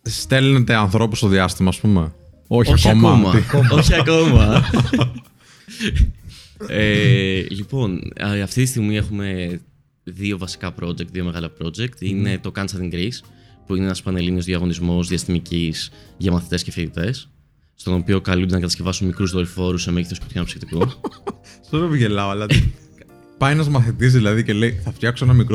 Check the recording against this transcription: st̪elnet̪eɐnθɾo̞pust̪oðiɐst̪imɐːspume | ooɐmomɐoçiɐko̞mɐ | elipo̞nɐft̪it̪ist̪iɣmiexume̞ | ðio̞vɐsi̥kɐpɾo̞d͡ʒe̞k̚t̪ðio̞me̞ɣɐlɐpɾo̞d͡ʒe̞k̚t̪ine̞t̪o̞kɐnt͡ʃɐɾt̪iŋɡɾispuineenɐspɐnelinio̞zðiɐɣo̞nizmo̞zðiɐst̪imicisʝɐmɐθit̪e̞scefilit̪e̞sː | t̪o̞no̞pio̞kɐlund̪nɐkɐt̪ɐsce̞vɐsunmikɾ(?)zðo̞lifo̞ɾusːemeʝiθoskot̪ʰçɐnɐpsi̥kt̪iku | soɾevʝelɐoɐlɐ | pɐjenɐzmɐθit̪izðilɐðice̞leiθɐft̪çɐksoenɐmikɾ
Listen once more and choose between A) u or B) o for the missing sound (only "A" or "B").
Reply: A